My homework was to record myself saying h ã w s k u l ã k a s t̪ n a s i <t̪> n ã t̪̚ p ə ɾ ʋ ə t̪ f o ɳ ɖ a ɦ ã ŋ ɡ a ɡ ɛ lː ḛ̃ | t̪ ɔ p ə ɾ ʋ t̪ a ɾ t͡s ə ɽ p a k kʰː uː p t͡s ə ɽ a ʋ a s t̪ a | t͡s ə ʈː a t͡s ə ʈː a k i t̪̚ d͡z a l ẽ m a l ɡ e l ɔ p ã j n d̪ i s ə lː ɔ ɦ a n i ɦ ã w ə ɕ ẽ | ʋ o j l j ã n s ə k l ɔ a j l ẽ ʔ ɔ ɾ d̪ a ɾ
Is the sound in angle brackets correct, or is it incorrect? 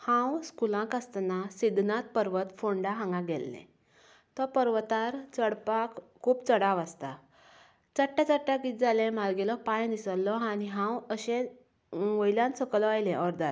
incorrect